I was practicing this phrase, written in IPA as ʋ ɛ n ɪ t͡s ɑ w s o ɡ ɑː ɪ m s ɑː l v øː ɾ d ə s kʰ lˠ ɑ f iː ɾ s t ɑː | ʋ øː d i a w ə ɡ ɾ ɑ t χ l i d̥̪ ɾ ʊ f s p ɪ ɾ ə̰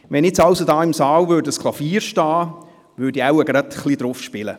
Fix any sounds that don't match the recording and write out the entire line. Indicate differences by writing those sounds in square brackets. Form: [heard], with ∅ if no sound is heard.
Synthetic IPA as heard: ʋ ɛ n ɪ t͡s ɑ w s o [d] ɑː ɪ m s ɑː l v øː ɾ d ə s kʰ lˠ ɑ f iː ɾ [ʃ] t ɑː | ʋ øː d i a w ə ɡ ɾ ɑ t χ l i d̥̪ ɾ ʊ f [ʃ] p ɪ [l] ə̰